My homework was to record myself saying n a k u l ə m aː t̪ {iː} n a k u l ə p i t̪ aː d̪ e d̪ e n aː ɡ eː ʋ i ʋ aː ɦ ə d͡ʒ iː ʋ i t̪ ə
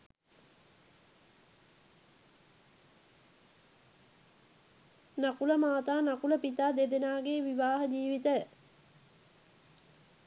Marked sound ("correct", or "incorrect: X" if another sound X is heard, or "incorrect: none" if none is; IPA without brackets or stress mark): incorrect: aː